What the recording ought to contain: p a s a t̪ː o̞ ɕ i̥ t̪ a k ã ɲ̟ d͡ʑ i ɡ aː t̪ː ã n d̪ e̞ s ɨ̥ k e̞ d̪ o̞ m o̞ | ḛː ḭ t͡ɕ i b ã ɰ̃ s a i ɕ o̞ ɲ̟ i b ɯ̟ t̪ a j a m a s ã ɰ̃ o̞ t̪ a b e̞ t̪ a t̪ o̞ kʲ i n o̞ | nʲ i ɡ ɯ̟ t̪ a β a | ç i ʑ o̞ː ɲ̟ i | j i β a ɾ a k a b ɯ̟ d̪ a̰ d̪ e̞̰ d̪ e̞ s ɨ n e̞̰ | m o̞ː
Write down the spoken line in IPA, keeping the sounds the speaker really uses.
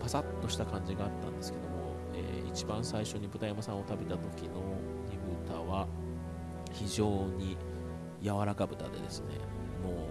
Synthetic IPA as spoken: p a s a t̪ː o̞ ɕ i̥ t̪ a k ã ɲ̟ d͡ʑ i ɡ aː t̪ː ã n d̪ e̞ s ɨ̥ k e̞ d̪ o̞ m o̞ | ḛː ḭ t͡ɕ i b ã ɰ̃ s a i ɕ o̞ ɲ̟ i b ɯ̟ t̪ a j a m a s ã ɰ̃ o̞ t̪ a b e̞ t̪ a t̪ o̞ kʲ i n o̞ | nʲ i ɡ ɯ̟ t̪ a β a | ç i ʑ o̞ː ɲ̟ i | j a β a ɾ a k a b ɯ̟ t̪ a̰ d̪ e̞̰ d̪ e̞ s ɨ n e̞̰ | m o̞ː